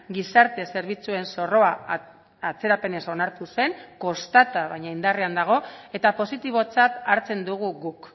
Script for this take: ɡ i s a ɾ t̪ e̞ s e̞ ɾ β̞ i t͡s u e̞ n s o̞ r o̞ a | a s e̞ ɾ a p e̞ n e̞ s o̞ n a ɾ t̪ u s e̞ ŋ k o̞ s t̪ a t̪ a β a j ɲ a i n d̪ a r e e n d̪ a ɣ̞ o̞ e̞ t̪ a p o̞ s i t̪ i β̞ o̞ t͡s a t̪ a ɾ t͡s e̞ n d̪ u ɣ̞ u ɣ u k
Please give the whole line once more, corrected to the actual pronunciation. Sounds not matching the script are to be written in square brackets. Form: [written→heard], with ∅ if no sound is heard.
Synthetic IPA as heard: ɡ i s a ɾ t̪ e̞ s e̞ ɾ β̞ i t͡s u e̞ n s o̞ r o̞ a | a [s→t͡s] e̞ ɾ a p e̞ n e̞ s o̞ n a ɾ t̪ u s e̞ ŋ k o̞ s t̪ a t̪ a β a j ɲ a i n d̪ a r e [e→a] n d̪ a ɣ̞ o̞ e̞ t̪ a p o̞ s i t̪ i β̞ o̞ t͡s a t̪ a ɾ t͡s e̞ n d̪ u ɣ̞ u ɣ u k